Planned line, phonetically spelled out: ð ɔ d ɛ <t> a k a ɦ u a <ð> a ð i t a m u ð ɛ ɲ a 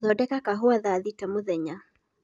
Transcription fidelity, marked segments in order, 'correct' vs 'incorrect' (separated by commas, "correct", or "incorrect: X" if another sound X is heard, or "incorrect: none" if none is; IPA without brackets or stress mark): incorrect: k, correct